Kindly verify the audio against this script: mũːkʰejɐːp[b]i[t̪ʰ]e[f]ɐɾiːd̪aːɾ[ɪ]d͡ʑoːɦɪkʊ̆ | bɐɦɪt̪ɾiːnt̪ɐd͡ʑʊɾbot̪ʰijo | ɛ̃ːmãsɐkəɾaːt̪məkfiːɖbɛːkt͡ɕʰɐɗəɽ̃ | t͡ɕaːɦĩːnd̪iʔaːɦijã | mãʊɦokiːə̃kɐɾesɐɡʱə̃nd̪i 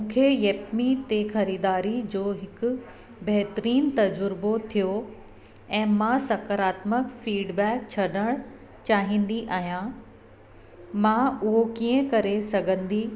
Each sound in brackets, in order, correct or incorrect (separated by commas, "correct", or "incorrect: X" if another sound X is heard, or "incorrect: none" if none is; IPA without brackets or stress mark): incorrect: m, incorrect: t̪, incorrect: x, incorrect: i